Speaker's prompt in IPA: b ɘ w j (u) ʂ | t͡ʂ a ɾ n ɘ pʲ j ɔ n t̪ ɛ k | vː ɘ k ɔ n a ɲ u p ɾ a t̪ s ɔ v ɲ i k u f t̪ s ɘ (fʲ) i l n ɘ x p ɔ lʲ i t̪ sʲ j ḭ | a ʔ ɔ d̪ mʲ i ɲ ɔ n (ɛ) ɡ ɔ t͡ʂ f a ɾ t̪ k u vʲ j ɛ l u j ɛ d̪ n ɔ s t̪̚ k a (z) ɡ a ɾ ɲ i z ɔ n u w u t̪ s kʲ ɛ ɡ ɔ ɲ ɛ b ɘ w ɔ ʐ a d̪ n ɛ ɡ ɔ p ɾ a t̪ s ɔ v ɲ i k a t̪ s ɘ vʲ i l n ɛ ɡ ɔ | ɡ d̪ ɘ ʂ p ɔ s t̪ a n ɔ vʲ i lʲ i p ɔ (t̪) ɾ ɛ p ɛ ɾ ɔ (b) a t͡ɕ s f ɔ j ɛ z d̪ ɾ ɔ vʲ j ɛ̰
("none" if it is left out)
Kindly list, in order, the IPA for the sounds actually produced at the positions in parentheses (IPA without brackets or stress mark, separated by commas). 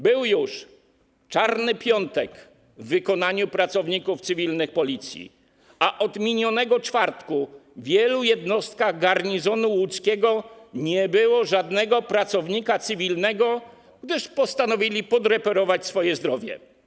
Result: u, vʲ, ɛ, ɣ, d̪, v